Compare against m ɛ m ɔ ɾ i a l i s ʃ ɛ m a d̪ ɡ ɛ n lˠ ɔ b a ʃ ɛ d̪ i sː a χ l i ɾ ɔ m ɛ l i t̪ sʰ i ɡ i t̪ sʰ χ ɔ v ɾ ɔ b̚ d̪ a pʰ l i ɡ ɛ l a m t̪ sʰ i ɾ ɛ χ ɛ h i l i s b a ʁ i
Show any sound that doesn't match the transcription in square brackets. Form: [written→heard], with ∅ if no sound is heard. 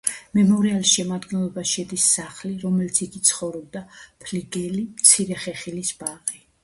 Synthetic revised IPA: m ɛ m ɔ ɾ i a l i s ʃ ɛ m a d̪ ɡ ɛ n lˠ ɔ b a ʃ ɛ d̪ i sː a χ l i ɾ ɔ m ɛ l i t̪ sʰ i ɡ i t̪ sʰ χ ɔ v ɾ ɔ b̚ d̪ a pʰ l i ɡ ɛ l [a→i] m t̪ sʰ i ɾ ɛ χ ɛ [h→χ] i l i s b a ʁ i